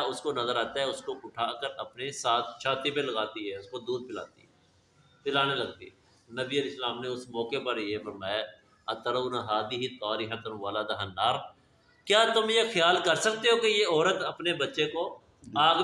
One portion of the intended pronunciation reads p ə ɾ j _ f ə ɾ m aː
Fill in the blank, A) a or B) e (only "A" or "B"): B